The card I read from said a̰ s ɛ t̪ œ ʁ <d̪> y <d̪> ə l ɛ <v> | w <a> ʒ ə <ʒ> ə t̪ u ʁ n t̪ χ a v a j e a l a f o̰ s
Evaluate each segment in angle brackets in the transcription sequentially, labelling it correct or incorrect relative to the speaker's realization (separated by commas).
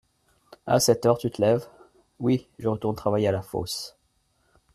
incorrect, incorrect, correct, incorrect, incorrect